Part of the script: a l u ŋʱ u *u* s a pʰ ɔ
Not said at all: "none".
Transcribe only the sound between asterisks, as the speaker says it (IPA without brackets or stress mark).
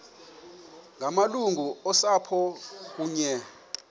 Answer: ɔ